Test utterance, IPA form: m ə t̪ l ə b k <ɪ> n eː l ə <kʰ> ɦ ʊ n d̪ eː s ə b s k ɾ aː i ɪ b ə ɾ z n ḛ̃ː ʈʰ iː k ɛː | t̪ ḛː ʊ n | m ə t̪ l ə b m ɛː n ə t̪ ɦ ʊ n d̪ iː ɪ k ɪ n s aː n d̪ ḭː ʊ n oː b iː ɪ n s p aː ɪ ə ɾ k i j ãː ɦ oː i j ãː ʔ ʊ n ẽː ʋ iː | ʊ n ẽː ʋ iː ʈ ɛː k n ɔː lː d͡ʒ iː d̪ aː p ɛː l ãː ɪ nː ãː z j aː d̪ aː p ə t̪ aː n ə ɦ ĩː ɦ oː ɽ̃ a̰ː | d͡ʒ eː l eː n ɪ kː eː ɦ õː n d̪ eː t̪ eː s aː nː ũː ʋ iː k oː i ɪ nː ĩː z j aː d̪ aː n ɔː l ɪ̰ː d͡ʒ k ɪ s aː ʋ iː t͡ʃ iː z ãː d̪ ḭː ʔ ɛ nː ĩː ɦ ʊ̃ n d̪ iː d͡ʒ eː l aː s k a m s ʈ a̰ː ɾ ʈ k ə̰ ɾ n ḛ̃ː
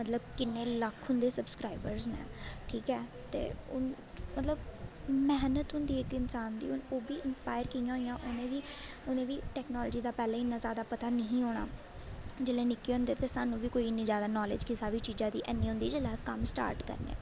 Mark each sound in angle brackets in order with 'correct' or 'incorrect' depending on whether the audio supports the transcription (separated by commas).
correct, correct